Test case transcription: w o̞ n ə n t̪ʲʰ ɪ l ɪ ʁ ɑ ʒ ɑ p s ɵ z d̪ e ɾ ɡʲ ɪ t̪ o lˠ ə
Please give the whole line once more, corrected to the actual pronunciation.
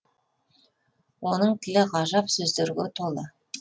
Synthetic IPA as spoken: w o̞ n ə ɴ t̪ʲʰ ɪ l ɪ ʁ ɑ ʒ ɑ p s ɵ z d̪ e ɾ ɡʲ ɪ t̪ʰ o lˠ ə

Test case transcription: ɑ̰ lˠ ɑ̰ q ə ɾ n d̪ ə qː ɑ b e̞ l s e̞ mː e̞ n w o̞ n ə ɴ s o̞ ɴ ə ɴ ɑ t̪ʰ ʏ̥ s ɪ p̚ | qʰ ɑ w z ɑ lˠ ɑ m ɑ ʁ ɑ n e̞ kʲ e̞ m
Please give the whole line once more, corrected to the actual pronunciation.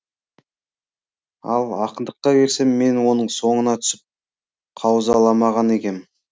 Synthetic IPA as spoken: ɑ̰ lˠ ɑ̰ q ə n d̪ ə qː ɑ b e̞ ɾ s e̞ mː e̞ n w o̞ n ə ɴ s o̞ ɴ ə n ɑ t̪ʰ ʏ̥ s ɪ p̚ | qʰ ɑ w z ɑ lˠ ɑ m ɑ ʁ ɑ n e̞ kʲ e̞ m

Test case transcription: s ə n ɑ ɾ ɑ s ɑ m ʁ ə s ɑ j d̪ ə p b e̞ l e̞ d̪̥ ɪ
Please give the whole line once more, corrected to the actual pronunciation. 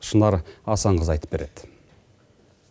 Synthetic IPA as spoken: ʃ ə n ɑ ɾ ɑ s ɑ ɴ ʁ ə z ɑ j t̪ ə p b e̞ ɾ e̞ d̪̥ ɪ

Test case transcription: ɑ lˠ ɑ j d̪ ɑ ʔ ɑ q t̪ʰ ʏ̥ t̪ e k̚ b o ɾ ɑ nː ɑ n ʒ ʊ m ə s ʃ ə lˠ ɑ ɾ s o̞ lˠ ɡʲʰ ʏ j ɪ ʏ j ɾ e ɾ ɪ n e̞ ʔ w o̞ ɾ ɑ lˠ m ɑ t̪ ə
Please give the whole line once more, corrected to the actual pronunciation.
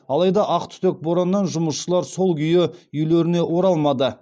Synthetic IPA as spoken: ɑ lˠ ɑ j d̪ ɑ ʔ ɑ q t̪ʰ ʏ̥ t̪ e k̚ b o ɾ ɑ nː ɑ n ʒ ʊ m ə s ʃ ə lˠ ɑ ɾ s o̞ lˠ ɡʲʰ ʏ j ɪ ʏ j l e ɾ ɪ n e̞ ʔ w o̞ ɾ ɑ lˠ m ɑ d̪ ə

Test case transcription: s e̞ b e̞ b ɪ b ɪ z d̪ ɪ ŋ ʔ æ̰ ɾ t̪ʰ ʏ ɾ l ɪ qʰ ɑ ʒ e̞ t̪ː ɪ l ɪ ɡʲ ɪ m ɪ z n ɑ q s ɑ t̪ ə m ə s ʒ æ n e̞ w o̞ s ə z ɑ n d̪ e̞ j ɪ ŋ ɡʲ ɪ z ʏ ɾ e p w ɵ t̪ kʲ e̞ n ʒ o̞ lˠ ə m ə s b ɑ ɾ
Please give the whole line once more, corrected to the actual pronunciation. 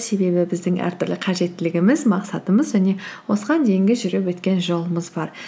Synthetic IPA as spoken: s e̞ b e̞ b ɪ b ɪ z d̪ ɪ ŋ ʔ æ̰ ɾ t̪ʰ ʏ ɾ l ɪ qʰ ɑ ʒ e̞ t̪ː ɪ l ɪ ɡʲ ɪ m ɪ z m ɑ q s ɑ t̪ ə m ə z ʒ æ n e̞ w o̞ s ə ʁ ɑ n d̪ e̞ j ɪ ŋ ɡʲ ɪ ʒ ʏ ɾ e p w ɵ t̪ kʲ e̞ n ʒ o̞ lˠ ə m ə z b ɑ ɾ

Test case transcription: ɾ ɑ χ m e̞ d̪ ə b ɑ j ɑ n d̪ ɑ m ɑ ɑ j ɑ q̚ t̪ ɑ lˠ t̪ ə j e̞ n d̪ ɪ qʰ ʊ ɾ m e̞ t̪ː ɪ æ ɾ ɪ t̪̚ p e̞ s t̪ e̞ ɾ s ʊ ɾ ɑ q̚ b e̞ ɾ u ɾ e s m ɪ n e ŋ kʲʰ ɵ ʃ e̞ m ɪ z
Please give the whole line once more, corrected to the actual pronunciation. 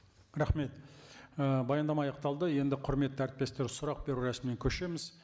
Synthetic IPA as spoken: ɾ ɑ χ m e̞ t̪ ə b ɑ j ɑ n d̪ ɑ m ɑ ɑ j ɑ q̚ t̪ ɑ lˠ d̪ ə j e̞ n d̪ ɪ qʰ ʊ ɾ m e̞ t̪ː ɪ æ ɾ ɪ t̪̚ p e̞ s t̪ e̞ ɾ s ʊ ɾ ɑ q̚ b e̞ ɾ u ɾ æ s m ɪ n e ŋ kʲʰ ɵ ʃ e̞ m ɪ z

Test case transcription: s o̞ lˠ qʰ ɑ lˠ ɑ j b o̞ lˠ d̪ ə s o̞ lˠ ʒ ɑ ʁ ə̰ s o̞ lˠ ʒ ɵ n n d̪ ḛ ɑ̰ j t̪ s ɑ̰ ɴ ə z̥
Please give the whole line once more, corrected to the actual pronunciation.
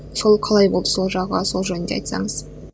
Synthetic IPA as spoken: s o̞ lˠ qʰ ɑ lˠ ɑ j b o̞ lˠ d̪ ə s o̞ lˠ ʒ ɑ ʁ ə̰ s o̞ lˠ ʒ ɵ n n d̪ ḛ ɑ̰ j t̪ s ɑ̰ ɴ ə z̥

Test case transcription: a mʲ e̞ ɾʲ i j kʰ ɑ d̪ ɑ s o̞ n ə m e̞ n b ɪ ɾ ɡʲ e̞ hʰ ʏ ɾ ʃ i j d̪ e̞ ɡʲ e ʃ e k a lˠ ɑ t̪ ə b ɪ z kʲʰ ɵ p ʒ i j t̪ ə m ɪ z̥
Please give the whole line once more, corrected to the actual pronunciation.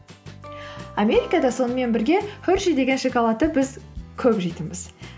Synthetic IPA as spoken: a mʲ e̞ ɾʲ i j k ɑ d̪ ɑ s o̞ n ə m e̞ n b ɪ ɾ ɡʲ e̞ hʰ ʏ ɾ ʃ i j d̪ e̞ ɡʲ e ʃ e k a lˠ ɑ t̪ ə b ɪ z kʲʰ ɵ p ʒ i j t̪ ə m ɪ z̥

